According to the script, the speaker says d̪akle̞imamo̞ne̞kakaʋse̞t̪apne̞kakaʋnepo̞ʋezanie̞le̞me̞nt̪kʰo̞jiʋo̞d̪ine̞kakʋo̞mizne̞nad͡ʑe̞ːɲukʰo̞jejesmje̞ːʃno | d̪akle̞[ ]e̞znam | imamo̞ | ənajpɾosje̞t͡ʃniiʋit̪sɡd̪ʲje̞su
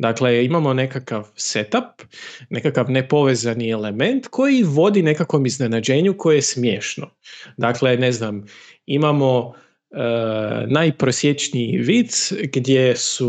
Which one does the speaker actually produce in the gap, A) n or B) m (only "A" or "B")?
A